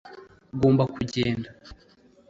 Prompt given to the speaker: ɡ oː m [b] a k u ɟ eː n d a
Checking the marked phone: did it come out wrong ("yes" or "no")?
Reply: no